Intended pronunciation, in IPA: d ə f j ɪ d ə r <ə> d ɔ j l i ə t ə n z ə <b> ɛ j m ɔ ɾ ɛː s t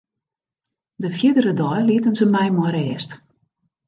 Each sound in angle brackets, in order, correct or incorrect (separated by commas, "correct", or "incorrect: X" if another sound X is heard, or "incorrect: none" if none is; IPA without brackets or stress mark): correct, incorrect: m